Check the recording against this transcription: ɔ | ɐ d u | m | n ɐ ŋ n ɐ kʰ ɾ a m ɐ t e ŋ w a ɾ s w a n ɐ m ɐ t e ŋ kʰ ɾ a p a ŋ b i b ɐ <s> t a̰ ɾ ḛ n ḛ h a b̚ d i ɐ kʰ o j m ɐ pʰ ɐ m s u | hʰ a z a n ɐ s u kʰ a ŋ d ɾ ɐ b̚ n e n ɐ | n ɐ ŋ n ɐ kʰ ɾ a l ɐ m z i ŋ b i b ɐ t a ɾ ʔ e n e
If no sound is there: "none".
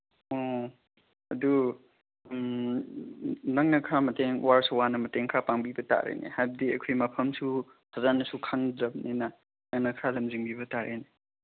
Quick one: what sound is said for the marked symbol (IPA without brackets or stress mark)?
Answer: none